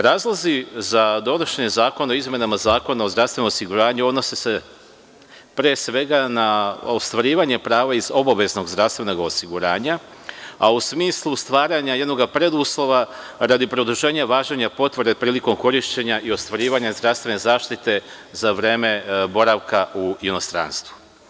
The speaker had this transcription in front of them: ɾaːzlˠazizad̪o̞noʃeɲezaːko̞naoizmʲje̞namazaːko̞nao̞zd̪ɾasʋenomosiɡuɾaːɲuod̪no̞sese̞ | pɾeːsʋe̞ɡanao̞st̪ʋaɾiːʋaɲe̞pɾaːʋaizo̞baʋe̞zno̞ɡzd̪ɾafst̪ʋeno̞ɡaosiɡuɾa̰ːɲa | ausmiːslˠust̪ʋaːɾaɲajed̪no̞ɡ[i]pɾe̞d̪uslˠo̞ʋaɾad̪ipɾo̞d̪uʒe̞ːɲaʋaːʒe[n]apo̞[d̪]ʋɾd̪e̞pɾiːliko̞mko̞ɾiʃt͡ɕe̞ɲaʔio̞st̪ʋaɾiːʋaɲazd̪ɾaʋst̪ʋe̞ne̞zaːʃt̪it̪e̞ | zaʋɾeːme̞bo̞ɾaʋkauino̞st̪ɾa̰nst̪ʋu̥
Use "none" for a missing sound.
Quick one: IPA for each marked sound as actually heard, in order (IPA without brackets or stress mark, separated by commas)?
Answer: a, ɲ, t̪